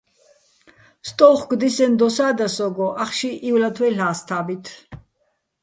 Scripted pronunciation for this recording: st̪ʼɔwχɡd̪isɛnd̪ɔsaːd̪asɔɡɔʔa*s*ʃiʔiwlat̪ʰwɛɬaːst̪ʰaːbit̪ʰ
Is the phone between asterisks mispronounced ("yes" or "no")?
yes